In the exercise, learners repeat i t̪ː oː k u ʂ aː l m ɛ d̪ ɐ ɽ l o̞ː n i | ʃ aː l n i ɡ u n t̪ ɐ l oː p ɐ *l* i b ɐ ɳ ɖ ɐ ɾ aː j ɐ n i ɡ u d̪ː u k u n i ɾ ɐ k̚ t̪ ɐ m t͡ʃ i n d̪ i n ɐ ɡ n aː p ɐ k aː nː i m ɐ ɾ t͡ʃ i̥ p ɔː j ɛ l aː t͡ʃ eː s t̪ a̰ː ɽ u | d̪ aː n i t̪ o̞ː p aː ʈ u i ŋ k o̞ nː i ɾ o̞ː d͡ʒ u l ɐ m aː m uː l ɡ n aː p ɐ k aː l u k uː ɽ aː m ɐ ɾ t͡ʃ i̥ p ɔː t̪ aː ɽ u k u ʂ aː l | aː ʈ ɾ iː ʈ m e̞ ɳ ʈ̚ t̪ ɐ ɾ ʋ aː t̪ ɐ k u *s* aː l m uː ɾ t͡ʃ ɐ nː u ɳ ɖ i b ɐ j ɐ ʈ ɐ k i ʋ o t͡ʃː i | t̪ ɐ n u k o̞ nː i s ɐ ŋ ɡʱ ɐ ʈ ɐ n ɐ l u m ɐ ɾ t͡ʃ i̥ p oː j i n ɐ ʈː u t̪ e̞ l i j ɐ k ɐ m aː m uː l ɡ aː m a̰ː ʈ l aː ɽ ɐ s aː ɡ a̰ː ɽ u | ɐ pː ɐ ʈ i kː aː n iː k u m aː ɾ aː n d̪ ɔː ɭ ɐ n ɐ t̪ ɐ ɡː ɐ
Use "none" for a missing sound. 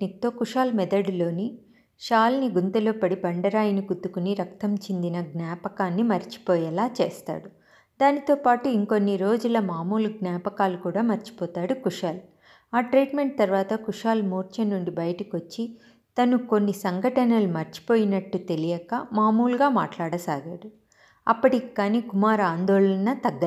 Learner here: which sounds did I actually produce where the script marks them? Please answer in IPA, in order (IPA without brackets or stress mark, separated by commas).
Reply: ɽ, ʂ